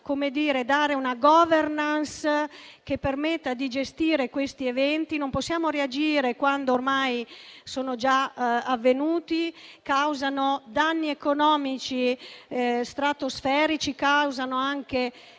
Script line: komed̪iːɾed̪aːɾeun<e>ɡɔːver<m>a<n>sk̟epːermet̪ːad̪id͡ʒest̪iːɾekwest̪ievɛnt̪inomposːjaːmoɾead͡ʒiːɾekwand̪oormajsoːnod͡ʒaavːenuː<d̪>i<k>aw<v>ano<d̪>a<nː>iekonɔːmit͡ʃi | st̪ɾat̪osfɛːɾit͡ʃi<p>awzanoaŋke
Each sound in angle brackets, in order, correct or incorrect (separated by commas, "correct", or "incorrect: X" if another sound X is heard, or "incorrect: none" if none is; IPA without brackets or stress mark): incorrect: a, incorrect: n, correct, incorrect: t̪, correct, incorrect: z, correct, correct, incorrect: k